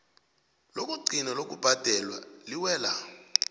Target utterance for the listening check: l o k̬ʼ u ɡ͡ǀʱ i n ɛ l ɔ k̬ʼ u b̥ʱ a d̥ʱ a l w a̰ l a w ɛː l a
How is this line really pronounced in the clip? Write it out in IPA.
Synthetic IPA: l o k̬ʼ u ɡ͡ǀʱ i n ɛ l o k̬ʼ u b̥ʱ a d̥ʱ ɛ l w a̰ l i w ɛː l a